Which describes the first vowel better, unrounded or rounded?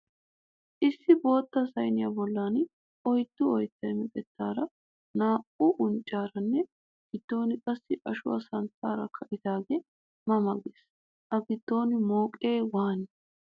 unrounded